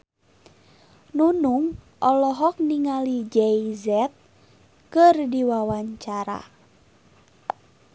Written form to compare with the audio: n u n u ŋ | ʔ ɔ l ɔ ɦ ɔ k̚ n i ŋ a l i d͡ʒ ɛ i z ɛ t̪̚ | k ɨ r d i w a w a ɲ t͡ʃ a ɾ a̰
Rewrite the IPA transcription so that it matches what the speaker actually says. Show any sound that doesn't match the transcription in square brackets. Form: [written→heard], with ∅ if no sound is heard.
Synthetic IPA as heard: n u n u ŋ | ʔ ɔ l ɔ ɦ ɔ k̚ n i ŋ a l i d͡ʒ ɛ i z ɛ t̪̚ | k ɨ r d i w a w a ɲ t͡ʃ a ɾ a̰